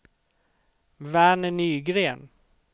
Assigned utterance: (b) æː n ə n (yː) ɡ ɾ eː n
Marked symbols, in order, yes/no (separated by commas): no, yes